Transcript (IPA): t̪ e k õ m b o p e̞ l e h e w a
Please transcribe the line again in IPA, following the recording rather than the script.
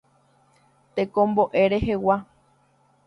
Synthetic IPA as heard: t̪ e k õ m b o ʔ e̞ ɾ e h e w a